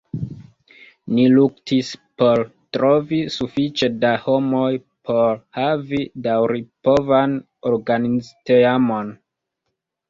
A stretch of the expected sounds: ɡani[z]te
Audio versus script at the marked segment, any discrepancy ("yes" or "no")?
no